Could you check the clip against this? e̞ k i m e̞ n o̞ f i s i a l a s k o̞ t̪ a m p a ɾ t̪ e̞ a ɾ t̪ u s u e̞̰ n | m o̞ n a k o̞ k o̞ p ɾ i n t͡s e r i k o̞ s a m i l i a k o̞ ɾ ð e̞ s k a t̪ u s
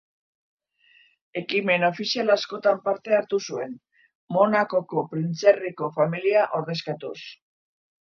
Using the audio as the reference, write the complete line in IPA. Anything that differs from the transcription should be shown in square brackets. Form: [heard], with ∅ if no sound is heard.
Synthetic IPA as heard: e̞ k i m e̞ n o̞ f i s i a l a s k o̞ t̪ a m p a ɾ t̪ e̞ a ɾ t̪ u s u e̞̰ n | m o̞ n a k o̞ k o̞ p ɾ i n t͡s e r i k o̞ [f] a m i l i a [ʔ] o̞ ɾ ð e̞ s k a t̪ u s